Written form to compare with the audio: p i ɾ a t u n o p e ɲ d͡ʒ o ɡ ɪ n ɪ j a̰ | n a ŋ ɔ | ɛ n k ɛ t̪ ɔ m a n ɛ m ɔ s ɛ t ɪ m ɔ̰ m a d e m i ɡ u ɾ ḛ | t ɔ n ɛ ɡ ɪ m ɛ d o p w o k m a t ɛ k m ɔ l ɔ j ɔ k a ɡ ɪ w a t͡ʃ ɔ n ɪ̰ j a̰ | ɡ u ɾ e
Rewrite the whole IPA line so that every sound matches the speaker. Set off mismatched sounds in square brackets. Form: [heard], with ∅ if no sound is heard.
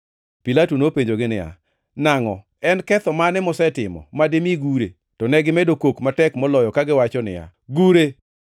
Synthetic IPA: p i [l] a t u n o p e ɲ d͡ʒ o ɡ ɪ n ɪ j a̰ | n a ŋ ɔ | ɛ n k ɛ t̪ ɔ m a n ɛ m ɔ s ɛ t ɪ m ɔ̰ m a d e m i ɡ u ɾ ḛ | t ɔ n ɛ ɡ ɪ m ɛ d o [k] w o k m a t ɛ k m ɔ l ɔ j ɔ k a ɡ ɪ w a t͡ʃ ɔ n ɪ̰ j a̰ | ɡ u ɾ e